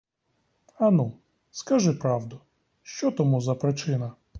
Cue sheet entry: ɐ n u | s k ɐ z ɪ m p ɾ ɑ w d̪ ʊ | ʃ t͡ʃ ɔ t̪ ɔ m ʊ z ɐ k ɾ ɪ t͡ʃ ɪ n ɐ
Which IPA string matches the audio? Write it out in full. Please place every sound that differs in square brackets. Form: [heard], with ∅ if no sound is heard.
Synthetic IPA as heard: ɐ n u | s k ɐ [ʒ] ɪ [∅] p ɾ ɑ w d̪ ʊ | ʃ t͡ʃ ɔ t̪ ɔ m [u] z ɐ [p] ɾ ɪ t͡ʃ ɪ n ɐ